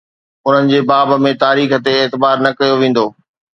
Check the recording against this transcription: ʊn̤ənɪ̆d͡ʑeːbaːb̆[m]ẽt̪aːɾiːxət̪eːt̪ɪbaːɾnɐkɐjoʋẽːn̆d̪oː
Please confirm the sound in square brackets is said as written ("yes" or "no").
yes